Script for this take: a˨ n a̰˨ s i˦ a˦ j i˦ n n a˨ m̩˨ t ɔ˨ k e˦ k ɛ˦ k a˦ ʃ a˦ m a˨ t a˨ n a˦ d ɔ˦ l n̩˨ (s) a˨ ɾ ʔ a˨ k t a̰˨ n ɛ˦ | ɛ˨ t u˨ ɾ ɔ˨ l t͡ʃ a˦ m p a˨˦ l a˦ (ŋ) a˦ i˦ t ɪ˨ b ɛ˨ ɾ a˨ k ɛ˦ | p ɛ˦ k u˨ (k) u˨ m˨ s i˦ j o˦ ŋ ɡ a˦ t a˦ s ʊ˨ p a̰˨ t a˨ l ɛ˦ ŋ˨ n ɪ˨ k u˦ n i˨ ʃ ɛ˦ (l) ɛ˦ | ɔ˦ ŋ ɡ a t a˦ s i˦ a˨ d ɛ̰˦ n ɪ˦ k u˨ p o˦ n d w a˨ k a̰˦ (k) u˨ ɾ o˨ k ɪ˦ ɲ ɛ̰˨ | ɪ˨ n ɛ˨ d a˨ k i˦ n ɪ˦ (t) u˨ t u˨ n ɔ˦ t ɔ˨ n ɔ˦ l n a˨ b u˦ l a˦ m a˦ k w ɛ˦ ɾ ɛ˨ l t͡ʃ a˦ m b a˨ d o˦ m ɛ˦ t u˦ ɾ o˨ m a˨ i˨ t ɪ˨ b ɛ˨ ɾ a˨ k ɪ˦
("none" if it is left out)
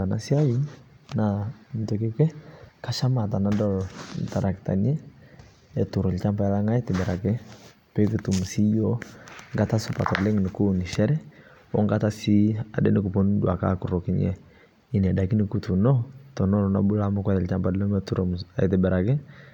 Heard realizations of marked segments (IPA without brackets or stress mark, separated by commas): t, ŋ, t, ɾ, k, k